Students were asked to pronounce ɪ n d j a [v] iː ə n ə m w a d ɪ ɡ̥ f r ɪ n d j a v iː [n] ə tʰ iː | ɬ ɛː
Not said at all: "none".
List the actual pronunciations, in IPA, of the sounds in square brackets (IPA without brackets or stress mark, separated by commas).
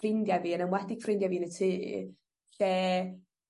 v, n